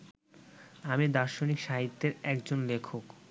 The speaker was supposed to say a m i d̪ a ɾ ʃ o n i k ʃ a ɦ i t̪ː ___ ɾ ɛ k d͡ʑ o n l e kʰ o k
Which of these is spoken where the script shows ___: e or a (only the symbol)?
e